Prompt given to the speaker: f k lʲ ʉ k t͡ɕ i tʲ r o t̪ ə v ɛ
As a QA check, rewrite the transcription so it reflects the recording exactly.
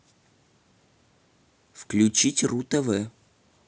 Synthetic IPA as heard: f k lʲ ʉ t͡ɕ i tʲ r u t̪ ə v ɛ